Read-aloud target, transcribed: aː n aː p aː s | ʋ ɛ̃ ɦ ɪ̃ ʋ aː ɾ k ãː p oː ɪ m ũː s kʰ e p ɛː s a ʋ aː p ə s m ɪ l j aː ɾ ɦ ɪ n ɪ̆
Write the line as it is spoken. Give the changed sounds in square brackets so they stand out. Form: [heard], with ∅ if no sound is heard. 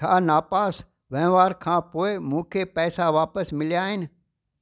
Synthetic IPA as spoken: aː n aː p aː s | ʋ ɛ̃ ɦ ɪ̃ ʋ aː ɾ [kʰ] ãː p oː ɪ m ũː [∅] kʰ e p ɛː s a ʋ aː p ə s m ɪ l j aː [∅] ɦ ɪ n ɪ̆